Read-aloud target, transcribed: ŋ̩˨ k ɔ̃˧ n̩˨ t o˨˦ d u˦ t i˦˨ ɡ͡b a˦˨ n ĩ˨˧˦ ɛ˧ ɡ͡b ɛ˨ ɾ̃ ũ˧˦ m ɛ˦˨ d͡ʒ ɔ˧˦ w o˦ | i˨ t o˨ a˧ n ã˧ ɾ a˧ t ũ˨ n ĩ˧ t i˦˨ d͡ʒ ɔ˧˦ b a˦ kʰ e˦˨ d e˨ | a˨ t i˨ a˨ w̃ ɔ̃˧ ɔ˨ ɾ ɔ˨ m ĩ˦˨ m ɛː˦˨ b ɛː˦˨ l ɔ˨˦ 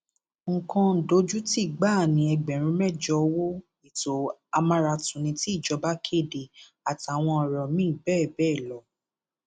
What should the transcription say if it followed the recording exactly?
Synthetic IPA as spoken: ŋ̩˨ k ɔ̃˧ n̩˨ d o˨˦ d͡ʒ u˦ t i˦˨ ɡ͡b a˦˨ n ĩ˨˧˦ ɛ˧ ɡ͡b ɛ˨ ɾ̃ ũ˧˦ m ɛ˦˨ d͡ʒ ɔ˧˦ w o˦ | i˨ t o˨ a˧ m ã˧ ɾ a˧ t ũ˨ n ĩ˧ t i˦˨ d͡ʒ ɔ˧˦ b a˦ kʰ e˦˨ d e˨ | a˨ t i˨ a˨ w̃ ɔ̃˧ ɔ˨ ɾ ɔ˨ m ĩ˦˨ b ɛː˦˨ b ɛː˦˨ l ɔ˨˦

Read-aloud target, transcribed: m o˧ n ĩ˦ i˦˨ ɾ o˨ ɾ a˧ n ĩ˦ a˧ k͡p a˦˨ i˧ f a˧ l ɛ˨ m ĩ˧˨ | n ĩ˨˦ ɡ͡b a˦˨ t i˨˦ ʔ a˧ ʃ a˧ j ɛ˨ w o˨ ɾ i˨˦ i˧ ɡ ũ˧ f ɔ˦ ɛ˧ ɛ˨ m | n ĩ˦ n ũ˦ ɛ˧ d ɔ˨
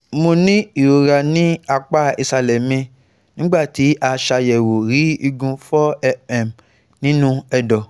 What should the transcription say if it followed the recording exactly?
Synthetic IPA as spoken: m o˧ n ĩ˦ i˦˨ ɾ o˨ ɾ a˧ n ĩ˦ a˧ k͡p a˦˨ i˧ s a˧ l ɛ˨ m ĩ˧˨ | n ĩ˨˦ ɡ͡b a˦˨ t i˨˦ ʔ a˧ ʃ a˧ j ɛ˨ w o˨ ɾ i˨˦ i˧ ɡ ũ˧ f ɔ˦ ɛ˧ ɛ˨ m | n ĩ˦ n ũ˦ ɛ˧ d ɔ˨

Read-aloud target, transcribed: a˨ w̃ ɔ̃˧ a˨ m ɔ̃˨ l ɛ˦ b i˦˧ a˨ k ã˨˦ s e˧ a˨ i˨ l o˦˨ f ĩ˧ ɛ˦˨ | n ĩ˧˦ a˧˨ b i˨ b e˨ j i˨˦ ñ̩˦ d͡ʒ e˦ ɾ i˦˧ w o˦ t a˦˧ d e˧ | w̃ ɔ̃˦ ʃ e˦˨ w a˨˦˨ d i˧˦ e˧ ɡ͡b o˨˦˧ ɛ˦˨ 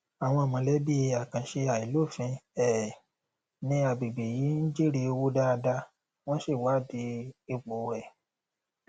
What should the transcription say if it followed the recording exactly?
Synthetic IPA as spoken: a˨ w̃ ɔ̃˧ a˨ m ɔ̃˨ l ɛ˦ b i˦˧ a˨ k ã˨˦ ʃ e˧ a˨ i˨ l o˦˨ f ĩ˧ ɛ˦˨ | n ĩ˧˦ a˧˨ b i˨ b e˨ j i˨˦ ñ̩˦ d͡ʒ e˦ ɾ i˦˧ w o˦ d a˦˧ d a˧ | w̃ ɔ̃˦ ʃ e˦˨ w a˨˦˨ d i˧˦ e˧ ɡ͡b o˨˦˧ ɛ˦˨

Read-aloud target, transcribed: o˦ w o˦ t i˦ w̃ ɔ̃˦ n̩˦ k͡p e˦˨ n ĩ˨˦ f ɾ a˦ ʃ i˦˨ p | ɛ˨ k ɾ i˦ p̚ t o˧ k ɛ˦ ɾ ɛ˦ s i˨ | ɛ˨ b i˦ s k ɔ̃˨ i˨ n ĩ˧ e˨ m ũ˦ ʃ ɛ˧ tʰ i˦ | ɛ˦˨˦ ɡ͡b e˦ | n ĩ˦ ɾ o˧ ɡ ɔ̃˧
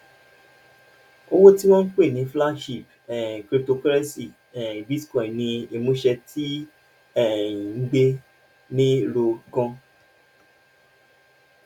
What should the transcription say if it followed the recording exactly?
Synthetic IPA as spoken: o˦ w o˦ t i˦ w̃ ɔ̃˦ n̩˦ k͡p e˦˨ n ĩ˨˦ f l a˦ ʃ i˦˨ p | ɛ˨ k ɾ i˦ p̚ t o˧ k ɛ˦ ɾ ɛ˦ s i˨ | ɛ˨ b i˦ s k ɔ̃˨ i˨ n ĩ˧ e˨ m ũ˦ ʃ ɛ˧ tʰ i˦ | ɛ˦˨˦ ɡ͡b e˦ | n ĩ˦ ɾ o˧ ɡ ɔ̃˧

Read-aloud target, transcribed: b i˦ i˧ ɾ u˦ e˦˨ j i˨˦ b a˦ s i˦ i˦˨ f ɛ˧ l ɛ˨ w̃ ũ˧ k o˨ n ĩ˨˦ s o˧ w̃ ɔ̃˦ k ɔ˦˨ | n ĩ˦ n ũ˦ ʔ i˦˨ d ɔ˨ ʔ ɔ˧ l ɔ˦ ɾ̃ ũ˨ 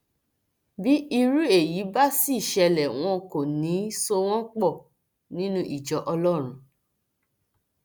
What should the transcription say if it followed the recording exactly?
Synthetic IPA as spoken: b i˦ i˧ ɾ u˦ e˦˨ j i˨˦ b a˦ s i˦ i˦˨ ʃ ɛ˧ l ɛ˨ w̃ ɔ̃˧ k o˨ n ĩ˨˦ s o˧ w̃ ɔ̃˦ k͡p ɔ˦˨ | n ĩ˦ n ũ˦ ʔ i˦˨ d͡ʒ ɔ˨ ʔ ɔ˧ l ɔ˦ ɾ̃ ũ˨

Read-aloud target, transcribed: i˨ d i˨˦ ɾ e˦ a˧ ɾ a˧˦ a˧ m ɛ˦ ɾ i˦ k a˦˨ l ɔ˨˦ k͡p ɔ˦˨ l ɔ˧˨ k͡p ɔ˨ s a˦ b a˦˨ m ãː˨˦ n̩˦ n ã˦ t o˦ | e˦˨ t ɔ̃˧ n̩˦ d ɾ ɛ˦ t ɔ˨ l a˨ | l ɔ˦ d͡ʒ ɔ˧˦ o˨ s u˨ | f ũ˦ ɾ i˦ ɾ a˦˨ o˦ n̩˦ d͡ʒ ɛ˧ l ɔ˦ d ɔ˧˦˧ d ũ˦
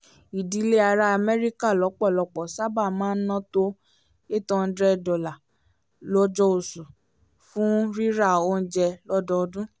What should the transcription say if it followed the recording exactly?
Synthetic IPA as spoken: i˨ d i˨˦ l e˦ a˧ ɾ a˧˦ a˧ m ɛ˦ ɾ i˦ k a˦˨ l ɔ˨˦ k͡p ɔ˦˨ l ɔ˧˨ k͡p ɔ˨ s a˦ b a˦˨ m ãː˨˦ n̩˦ n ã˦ t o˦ | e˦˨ t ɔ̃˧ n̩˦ d ɾ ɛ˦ d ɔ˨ l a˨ | l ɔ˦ d͡ʒ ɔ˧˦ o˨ s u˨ | f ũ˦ ɾ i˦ ɾ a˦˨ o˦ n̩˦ d͡ʒ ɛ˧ l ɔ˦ d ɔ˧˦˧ d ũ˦

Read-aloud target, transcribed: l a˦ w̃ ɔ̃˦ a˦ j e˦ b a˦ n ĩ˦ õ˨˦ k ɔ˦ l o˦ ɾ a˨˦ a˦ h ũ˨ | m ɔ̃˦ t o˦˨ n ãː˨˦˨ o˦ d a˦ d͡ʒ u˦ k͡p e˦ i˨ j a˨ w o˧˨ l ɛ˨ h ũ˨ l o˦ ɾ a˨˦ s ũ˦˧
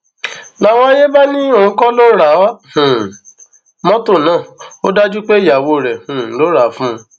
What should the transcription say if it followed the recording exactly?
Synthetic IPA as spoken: l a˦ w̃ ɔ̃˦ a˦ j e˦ b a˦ n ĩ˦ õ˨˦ k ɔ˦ l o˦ ɾ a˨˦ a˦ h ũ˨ | m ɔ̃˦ t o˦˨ n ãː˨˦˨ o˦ d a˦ d͡ʒ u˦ k͡p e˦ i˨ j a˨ w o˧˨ ɾ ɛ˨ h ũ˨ l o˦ ɾ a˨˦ f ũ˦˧

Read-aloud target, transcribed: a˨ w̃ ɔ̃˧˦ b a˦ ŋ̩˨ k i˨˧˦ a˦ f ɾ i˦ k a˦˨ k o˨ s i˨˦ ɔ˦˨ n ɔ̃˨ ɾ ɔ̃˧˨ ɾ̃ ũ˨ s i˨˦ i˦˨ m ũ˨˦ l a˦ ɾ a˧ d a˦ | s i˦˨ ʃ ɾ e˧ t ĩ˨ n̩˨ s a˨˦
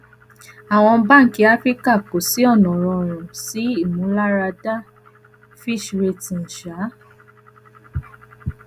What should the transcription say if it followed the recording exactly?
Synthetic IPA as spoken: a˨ w̃ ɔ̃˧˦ b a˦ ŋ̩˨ k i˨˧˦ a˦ f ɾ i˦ k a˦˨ k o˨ s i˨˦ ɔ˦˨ n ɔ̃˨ ɾ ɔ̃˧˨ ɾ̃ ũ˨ s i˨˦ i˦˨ m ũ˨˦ l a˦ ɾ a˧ d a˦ | f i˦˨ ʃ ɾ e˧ t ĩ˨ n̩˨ ʃ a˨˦

